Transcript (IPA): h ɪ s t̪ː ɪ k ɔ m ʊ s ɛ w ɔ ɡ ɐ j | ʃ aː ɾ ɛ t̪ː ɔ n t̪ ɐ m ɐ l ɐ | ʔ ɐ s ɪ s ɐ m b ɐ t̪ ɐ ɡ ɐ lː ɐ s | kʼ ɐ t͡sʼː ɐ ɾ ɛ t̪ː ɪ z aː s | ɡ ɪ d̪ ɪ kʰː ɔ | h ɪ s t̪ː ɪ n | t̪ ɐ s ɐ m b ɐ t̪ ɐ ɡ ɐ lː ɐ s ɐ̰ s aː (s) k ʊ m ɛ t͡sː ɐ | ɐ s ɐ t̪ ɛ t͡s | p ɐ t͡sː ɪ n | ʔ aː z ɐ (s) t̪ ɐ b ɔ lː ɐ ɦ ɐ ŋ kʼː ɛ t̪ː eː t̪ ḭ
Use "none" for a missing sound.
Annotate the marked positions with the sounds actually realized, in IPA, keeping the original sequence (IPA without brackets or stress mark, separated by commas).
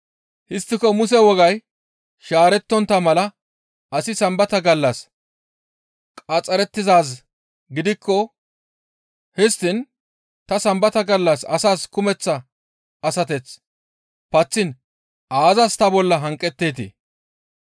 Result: s, s